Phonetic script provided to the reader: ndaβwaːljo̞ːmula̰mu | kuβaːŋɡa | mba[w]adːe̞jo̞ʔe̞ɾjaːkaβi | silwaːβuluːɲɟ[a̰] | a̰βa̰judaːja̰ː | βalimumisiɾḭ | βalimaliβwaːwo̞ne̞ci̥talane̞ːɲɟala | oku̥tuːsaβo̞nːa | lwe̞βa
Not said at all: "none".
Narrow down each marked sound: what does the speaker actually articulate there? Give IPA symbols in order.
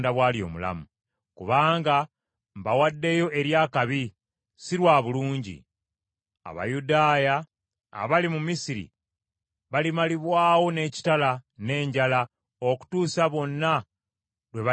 w, ḭ

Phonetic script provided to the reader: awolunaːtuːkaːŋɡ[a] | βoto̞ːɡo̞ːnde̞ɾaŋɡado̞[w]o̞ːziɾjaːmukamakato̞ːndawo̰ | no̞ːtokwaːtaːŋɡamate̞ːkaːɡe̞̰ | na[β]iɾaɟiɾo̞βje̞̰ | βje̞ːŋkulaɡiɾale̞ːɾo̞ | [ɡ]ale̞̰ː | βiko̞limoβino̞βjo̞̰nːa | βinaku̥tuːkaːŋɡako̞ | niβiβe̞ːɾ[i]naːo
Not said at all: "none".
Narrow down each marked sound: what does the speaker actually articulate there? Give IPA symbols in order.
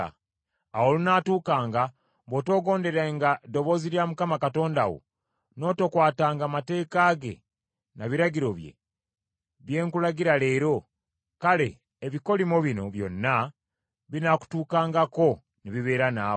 a, β, β, k, a

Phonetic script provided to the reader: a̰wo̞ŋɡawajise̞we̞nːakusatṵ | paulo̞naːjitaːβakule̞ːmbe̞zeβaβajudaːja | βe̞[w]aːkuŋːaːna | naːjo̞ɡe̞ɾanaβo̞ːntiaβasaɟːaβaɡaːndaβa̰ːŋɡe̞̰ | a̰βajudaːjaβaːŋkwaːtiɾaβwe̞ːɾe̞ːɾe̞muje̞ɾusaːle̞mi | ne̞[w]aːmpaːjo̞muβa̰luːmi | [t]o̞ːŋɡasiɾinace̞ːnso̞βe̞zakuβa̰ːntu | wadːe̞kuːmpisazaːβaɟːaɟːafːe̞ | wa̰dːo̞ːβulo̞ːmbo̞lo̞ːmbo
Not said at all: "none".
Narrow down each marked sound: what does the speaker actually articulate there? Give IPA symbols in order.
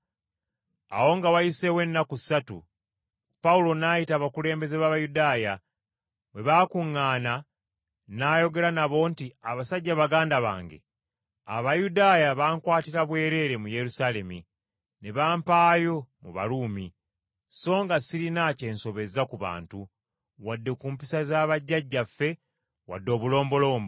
β, β, s

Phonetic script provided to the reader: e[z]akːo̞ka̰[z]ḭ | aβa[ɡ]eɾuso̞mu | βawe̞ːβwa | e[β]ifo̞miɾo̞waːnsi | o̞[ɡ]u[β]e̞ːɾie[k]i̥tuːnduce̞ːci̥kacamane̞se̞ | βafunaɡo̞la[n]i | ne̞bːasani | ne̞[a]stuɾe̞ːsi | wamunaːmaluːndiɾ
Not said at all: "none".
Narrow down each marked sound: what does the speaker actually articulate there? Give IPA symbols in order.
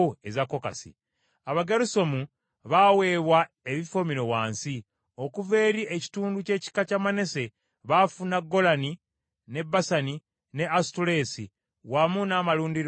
z, s, ɡ, β, k, v, c, n, a

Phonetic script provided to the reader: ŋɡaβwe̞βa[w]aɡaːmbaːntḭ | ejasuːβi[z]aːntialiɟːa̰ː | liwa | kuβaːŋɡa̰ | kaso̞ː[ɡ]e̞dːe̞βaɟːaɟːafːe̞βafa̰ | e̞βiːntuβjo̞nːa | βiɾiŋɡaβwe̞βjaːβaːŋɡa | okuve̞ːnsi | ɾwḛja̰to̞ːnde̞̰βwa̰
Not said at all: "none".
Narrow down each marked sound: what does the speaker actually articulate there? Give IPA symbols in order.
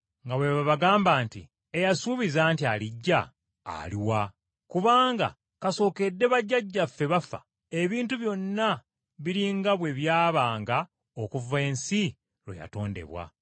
β, z, k

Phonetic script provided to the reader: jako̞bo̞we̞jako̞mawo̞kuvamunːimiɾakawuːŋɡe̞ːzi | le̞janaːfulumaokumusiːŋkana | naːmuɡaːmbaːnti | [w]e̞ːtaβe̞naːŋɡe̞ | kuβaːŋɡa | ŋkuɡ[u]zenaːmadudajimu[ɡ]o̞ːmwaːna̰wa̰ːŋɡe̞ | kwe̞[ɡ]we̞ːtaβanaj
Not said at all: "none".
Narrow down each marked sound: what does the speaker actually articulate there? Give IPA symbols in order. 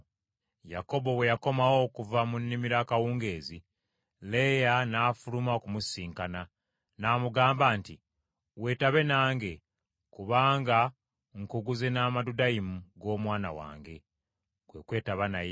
w, u, ɡ, k

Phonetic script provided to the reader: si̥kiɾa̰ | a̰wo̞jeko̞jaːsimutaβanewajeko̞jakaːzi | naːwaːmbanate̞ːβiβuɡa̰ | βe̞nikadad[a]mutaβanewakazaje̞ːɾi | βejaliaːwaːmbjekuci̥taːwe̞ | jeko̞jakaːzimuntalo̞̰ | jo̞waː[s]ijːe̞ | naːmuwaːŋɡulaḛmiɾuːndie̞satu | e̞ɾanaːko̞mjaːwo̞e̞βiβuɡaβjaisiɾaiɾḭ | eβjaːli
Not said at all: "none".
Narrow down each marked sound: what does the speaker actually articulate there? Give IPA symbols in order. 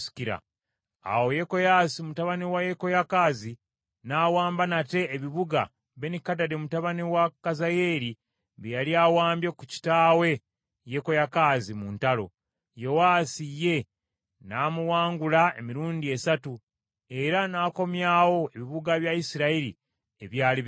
e, s

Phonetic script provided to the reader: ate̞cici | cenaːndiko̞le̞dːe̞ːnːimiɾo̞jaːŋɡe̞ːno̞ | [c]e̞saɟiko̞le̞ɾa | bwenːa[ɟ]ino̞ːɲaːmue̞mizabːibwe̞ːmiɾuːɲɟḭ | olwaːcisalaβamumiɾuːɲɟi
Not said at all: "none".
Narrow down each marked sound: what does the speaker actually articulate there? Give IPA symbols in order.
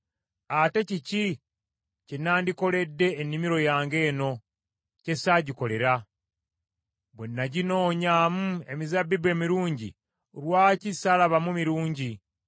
c, ɟ

